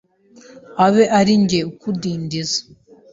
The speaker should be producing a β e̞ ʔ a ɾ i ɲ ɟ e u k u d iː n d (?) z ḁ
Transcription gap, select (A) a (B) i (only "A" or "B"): B